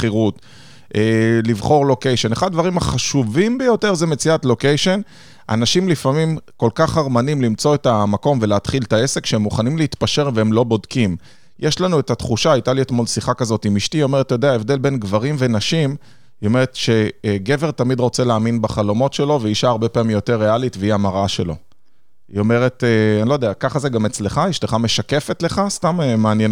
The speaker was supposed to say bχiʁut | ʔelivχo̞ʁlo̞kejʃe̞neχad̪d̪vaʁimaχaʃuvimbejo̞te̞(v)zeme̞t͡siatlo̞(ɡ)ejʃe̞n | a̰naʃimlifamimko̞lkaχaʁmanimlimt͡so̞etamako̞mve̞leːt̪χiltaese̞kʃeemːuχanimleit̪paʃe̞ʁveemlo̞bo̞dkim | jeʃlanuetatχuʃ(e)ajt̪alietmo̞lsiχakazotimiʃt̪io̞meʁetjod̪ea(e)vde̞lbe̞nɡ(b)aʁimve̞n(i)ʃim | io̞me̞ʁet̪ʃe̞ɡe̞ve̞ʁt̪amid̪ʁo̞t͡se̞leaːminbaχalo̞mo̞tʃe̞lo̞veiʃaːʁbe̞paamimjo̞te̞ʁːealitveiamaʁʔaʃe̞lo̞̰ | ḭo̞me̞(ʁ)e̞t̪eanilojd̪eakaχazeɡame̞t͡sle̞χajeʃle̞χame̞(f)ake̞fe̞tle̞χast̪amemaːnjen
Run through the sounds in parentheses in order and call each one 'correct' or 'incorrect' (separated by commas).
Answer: incorrect, incorrect, incorrect, correct, incorrect, incorrect, correct, incorrect